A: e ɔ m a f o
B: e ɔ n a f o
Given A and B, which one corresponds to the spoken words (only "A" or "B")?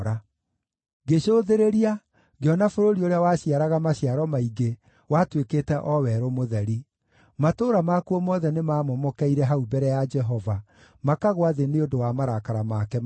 B